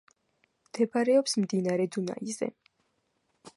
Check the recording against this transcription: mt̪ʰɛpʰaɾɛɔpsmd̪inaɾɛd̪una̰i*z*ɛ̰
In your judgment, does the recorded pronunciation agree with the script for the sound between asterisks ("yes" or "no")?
yes